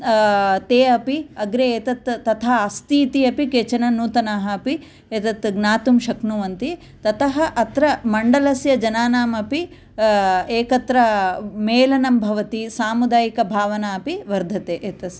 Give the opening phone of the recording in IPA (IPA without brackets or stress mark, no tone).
t̪